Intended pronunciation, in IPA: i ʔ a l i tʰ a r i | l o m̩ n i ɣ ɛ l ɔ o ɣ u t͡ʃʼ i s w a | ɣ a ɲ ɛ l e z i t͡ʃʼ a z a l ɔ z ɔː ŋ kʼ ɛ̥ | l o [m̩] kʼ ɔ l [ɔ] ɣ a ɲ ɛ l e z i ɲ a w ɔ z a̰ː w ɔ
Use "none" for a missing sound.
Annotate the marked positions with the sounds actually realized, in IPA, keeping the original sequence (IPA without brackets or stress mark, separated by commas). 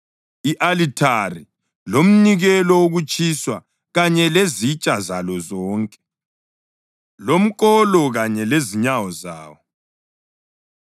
m̩, ɔ